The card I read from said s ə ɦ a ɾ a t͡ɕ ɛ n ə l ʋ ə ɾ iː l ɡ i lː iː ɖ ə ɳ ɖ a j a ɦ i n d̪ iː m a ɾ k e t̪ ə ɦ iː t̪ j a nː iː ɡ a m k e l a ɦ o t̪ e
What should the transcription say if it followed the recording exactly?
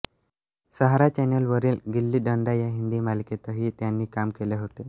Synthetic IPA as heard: s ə ɦ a ɾ a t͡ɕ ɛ n ə l ʋ ə ɾ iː l ɡ i lː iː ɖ ə ɳ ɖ a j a ɦ i n d̪ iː m a l k e t̪ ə ɦ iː t̪ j a nː iː k a m k e l e ɦ o t̪ e

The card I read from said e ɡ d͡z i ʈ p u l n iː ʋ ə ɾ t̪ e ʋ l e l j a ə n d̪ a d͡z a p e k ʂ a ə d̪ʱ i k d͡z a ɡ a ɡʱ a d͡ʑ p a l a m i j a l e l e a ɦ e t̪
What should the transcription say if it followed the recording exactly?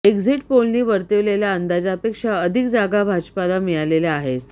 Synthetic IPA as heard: e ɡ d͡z i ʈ p o l n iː ʋ ə ɾ t̪ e ʋ l e l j a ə n d̪ a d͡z a p e k ʂ a ə d̪ʱ i k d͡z a ɡ a bʱ a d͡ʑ p a l a m i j a l e l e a ɦ e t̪

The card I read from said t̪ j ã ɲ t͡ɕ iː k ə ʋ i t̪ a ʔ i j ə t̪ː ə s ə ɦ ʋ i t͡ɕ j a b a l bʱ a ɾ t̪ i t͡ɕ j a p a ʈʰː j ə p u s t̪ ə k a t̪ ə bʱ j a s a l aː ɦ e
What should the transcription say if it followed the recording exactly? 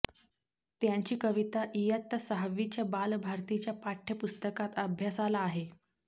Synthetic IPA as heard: t̪ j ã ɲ t͡ɕ iː k ə ʋ i t̪ a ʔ i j ə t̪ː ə s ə ɦ ʋ i t͡ɕ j a b a l bʱ a ɾ t̪ i t͡ɕ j a p a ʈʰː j ə p u s t̪ ə k a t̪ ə bʱ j a s a l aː ɦ e

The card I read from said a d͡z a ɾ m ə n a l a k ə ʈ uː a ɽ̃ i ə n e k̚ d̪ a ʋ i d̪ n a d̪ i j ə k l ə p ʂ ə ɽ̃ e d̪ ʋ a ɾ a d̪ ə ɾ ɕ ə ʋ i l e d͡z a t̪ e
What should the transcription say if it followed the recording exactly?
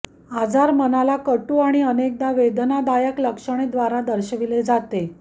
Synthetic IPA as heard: a d͡z a ɾ m ə n a l a k ə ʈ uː a ɽ̃ i ə n e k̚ d̪ a ʋ e d̪ n a d̪ a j ə k l ə k ʂ ə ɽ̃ e d̪ ʋ a ɾ a d̪ ə ɾ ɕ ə ʋ i l e d͡z a t̪ e

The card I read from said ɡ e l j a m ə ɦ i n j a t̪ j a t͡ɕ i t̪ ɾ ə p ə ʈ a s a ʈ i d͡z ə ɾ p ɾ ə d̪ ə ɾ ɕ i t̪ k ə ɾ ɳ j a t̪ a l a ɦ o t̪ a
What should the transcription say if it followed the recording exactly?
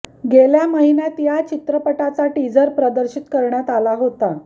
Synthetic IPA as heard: ɡ e l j a m ə ɦ i n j a t̪ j a t͡ɕ i t̪ ɾ ə p ə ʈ a t͡s a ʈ i d͡z ə ɾ p ɾ ə d̪ ə ɾ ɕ i t̪ k ə ɾ ɳ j a t̪ a l a ɦ o t̪ a

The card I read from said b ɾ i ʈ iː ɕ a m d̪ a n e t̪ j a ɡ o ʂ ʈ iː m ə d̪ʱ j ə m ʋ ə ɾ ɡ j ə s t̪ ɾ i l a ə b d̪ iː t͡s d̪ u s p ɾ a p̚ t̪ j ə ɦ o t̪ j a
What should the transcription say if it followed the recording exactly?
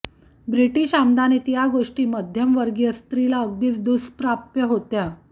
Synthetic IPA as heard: b ɾ i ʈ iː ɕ a m d̪ a n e t̪ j a ɡ o ʂ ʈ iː m ə d̪ʱ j ə m ʋ ə ɾ ɡ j ə s t̪ ɾ i l a ə ɡ d̪ iː t͡s d̪ u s p ɾ a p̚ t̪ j ə ɦ o t̪ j a

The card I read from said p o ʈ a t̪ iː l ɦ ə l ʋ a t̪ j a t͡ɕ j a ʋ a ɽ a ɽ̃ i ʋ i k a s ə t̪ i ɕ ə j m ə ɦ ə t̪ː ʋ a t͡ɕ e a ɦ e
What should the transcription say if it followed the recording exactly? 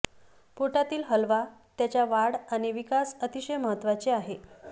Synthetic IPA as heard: p o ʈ a t̪ iː l ɦ ə l ʋ a t̪ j a t͡ɕ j a ʋ a ɽ a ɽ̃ i ʋ i k a s ə t̪ i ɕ ə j m ə ɦ ə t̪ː ʋ a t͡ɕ e a ɦ e

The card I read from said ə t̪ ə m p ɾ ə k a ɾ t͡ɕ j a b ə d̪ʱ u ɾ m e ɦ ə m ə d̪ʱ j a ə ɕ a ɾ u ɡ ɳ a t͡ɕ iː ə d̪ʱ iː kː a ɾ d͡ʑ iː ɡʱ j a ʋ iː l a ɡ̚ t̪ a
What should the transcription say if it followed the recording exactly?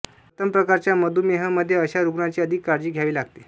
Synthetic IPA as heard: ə t̪ ə m p ɾ ə k a ɾ t͡ɕ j a m ə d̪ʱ u m e ɦ ə m ə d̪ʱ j e ə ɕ a ɾ u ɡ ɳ a t͡ɕ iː ə d̪ʱ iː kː a ɾ d͡ʑ iː ɡʱ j a ʋ iː l a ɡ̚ t̪ e

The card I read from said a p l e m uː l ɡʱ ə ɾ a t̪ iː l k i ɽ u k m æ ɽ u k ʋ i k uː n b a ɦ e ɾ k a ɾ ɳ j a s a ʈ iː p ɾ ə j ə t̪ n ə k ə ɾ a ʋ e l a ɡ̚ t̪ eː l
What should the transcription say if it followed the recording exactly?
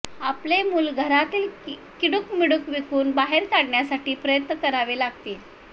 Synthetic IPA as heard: a p l e m uː l ɡʱ ə ɾ a t̪ iː l k i ɽ u k m i ɽ u k ʋ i k uː n b a ɦ e ɾ k a ɽ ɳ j a s a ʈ iː p ɾ ə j ə t̪ n ə k ə ɾ a ʋ e l a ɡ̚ t̪ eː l

